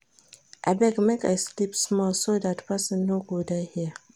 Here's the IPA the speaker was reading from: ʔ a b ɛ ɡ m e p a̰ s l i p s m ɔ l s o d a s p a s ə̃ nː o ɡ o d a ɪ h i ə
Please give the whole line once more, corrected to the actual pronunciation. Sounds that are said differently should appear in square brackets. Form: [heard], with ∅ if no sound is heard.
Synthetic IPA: ʔ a b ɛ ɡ m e [k] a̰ s l i p s m ɔ l s o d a [t] p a s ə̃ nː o ɡ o d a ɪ h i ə